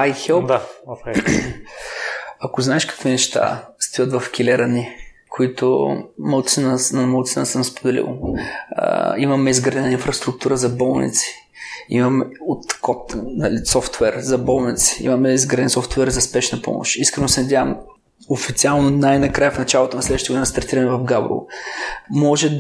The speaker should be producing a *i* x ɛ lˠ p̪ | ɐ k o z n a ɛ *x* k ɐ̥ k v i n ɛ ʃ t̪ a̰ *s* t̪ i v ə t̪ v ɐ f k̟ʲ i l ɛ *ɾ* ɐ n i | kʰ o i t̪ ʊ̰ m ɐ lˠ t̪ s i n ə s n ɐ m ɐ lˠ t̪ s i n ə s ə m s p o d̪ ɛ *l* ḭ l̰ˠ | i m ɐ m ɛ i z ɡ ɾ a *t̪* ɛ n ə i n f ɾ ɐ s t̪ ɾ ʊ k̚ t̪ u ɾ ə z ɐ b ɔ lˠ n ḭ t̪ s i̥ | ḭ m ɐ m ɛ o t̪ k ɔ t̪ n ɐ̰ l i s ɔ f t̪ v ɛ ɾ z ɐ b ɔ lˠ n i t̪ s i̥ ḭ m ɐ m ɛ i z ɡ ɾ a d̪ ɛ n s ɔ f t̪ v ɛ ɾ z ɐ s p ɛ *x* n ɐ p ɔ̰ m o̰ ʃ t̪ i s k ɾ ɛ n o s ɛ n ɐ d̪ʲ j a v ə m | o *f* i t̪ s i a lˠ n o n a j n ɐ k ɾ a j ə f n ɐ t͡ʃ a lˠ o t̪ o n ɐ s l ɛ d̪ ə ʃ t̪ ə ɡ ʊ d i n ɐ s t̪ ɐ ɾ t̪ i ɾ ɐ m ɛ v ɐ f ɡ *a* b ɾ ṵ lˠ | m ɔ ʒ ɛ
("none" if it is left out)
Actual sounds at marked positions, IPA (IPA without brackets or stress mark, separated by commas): j, ʃ, s, ɾ, l, d̪, ʃ, f, a